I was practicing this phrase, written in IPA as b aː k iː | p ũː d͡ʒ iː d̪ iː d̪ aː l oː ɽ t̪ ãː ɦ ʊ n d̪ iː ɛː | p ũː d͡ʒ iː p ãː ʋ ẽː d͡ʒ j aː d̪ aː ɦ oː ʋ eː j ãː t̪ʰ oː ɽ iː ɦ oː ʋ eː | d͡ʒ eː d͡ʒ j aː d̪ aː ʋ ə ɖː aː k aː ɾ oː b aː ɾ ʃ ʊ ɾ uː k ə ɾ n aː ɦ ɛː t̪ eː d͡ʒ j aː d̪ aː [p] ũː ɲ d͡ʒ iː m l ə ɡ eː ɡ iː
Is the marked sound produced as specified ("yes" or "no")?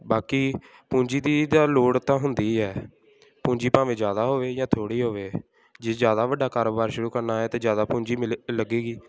yes